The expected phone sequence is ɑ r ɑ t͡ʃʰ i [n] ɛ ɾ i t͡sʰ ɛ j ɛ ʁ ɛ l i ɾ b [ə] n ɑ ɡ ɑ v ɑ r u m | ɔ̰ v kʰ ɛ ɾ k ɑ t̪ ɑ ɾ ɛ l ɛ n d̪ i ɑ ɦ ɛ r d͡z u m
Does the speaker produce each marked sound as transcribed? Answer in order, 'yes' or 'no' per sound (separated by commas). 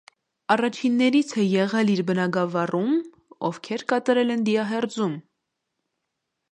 no, yes